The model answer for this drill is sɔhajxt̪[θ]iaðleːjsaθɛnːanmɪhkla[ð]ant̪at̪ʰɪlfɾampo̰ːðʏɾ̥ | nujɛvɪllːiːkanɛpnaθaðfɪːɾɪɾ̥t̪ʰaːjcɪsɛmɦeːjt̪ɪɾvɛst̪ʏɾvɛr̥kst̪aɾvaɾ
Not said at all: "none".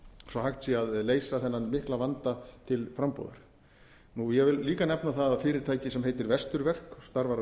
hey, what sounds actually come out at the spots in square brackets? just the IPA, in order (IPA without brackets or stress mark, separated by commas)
s, v